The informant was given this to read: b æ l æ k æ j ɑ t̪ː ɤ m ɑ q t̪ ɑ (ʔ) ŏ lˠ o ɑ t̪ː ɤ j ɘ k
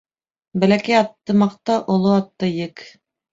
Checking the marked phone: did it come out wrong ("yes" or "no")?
no